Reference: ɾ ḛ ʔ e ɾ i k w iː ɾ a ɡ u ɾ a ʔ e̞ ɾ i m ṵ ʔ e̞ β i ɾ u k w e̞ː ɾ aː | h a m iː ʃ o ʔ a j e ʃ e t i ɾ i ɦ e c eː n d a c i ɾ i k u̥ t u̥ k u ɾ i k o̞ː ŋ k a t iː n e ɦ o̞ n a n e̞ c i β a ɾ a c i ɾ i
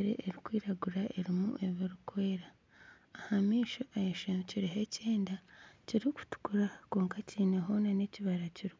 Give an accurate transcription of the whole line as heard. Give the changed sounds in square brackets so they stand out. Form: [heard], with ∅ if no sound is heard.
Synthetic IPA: ɾ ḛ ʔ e ɾ i k w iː ɾ a ɡ u ɾ a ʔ e̞ ɾ i m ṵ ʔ e̞ β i ɾ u k w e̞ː ɾ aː | h a m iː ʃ o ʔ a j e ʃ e [c] i ɾ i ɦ e c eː n d a c i ɾ i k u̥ t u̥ k u ɾ [a] k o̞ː ŋ k a [c] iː n e ɦ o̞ n a n e̞ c i β a ɾ a c i ɾ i